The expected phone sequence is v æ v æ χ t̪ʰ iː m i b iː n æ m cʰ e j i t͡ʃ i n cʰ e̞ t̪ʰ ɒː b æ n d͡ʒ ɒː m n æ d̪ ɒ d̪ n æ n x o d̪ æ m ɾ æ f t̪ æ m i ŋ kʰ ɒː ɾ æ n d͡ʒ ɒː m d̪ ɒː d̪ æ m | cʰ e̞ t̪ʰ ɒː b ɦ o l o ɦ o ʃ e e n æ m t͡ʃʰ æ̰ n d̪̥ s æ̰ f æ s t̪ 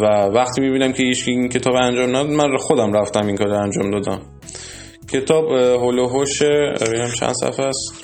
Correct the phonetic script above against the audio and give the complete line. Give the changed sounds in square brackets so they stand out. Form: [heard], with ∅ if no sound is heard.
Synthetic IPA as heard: v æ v æ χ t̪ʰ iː m i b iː n æ m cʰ e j i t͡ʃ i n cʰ e̞ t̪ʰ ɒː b æ n d͡ʒ ɒː m n æ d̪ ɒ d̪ [m] æ n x o d̪ æ m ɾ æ f t̪ æ m i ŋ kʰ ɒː ɾ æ n d͡ʒ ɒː m d̪ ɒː d̪ æ m | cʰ e̞ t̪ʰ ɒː b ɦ o l o ɦ o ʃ e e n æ m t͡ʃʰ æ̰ n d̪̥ s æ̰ f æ s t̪